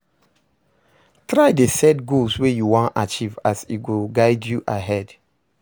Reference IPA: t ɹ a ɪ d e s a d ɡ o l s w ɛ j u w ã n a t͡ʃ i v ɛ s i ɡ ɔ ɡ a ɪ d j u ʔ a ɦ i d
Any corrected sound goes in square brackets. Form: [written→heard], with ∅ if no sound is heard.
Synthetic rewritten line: t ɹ a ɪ d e s [a→ɛ] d ɡ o l s w [ɛ→e] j u w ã n a t͡ʃ i v [ɛ→a] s i ɡ [ɔ→o] ɡ a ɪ d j u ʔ a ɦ [i→ɛ] d